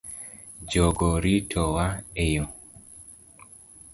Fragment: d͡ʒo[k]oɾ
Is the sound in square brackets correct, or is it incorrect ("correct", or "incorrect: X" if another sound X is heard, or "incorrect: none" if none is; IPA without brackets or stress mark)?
incorrect: ɡ